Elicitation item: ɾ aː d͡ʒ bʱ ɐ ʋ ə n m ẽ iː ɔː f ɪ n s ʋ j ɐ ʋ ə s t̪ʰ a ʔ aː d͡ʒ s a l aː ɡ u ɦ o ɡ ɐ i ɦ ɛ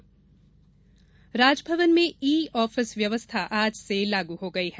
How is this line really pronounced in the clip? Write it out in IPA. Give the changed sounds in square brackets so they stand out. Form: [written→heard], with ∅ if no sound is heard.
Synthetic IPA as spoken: ɾ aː d͡ʒ bʱ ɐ ʋ ə n m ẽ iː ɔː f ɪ [n→∅] s ʋ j ɐ ʋ ə s t̪ʰ a ʔ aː d͡ʒ s [a→e] l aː ɡ u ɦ o ɡ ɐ i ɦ ɛ